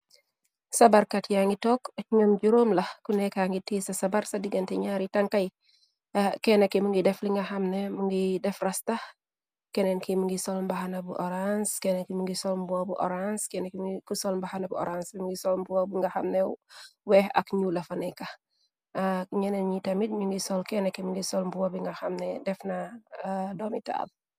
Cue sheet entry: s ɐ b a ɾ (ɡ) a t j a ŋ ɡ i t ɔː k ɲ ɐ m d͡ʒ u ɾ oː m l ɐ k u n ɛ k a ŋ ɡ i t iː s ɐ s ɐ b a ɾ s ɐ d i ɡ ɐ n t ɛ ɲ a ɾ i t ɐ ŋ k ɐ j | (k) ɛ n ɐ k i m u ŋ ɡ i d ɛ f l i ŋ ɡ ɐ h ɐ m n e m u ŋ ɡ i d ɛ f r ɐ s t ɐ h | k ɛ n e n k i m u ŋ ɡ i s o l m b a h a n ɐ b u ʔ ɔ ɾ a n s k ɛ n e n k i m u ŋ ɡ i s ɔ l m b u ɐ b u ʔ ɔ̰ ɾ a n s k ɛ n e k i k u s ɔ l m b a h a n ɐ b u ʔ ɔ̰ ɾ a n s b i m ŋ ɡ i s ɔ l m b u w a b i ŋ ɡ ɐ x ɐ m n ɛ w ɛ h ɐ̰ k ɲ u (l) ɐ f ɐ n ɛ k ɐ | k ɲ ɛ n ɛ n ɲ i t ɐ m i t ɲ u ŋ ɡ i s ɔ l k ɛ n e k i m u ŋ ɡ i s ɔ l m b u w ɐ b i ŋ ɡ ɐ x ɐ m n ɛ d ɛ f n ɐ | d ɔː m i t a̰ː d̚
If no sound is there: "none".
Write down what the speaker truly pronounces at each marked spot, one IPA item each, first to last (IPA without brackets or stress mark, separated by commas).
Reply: k, k, l